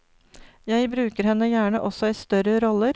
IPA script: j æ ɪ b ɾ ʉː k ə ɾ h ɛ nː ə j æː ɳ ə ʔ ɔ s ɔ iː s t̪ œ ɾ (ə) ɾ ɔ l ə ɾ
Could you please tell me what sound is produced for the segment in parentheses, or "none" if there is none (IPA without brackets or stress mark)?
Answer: ə